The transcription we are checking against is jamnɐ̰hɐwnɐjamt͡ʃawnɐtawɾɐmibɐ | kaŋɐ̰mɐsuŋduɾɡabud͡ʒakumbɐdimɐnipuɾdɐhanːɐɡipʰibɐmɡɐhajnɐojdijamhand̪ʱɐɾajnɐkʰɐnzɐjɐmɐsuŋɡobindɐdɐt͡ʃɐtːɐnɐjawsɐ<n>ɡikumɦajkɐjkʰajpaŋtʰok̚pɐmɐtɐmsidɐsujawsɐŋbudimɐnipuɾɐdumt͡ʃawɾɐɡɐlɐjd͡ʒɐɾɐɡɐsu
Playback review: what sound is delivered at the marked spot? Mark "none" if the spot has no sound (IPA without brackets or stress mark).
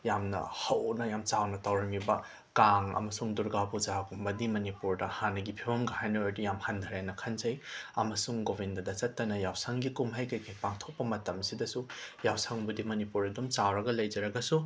ŋ